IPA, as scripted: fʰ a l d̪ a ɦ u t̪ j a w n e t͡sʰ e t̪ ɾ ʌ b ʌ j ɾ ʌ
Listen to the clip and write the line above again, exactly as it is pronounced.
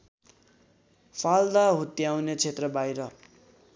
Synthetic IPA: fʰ a l d̪ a ɦ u t̪ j a w n e t͡sʰ e t̪ r ʌ b a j ɾ ʌ